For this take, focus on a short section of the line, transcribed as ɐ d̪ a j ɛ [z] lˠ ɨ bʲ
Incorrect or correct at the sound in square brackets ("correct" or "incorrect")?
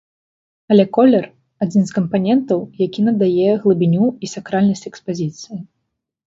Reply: incorrect